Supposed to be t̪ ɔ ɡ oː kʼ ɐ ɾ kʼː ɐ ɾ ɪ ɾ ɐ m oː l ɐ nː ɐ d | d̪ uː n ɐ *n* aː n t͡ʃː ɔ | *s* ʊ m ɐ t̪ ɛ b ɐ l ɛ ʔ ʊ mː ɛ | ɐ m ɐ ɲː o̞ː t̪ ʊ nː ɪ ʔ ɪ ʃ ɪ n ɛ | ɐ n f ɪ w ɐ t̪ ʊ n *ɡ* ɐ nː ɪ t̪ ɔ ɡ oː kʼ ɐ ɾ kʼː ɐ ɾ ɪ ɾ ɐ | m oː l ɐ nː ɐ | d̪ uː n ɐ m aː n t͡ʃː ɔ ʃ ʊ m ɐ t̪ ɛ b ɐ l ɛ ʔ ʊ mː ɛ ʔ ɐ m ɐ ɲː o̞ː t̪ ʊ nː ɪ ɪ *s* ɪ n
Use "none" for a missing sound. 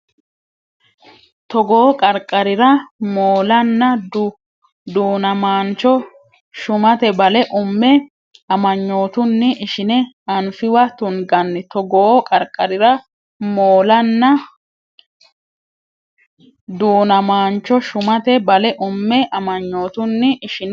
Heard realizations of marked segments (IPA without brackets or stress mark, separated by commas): m, ʃ, ɡ, ʃ